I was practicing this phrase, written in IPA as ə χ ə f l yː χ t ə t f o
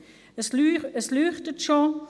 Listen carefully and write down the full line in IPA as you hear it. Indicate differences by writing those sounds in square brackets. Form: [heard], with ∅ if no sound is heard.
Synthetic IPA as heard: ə [s] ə [s] l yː χ t ə t [ʃ] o